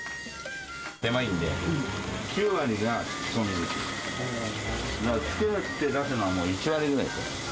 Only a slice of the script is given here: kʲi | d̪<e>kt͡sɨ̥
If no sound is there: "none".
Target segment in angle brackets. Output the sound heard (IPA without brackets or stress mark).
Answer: a